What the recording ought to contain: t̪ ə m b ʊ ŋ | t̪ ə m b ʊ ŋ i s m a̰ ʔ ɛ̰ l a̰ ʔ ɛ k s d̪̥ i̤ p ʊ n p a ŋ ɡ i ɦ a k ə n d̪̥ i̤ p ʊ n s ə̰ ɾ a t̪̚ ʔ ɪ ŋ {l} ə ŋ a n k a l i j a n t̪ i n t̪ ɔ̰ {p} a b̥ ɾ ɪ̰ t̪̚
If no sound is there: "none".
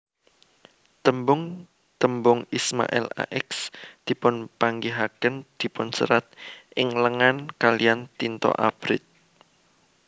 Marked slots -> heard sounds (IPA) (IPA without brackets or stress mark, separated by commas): l, ʔ